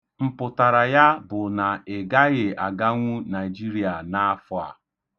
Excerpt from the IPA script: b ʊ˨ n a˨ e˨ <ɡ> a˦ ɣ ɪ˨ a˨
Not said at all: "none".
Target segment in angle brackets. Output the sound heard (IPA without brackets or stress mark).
ɡ